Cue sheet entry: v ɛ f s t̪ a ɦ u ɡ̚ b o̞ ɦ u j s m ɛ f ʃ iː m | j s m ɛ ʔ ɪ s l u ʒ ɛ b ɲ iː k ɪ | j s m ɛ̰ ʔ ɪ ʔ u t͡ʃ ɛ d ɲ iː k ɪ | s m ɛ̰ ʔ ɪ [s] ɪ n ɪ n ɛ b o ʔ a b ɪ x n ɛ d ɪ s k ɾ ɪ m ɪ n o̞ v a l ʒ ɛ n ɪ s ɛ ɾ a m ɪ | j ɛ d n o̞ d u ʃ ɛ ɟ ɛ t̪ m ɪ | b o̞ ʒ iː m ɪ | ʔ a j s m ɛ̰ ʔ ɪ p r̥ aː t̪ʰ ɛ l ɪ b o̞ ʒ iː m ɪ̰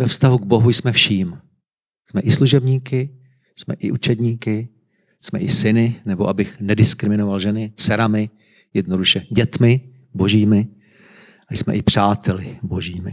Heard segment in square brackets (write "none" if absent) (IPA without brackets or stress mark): s